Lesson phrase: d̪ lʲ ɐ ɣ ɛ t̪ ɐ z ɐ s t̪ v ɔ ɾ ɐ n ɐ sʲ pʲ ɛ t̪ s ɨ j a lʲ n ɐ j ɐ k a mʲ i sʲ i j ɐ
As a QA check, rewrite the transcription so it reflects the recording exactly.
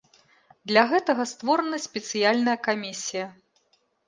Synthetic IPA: d̪ lʲ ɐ ɣ ɛ t̪ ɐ ɣ ɐ s t̪ v ɔ ɾ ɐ n ɐ sʲ pʲ ɛ t̪ s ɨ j a lʲ n ɐ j ɐ k a mʲ i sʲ i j ɐ